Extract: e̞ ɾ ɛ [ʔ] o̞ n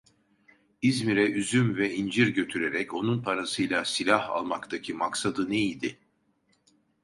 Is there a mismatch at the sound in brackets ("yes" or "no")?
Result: yes